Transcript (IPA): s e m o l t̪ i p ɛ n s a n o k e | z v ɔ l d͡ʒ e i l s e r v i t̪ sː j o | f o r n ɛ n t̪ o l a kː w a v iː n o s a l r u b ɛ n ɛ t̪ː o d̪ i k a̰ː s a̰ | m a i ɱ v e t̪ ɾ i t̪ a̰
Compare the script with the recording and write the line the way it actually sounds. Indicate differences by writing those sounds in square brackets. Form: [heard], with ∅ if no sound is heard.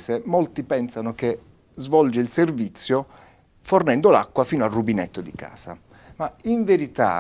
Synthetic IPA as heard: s e m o l t̪ i p ɛ n s a n o k e | z v ɔ l d͡ʒ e i l s e r v i t̪ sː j o | f o r n ɛ n [d̪] o l a kː w a [f] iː n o [∅] a l r u b [i] n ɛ t̪ː o d̪ i k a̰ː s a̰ | m a i ɱ v e [∅] ɾ i t̪ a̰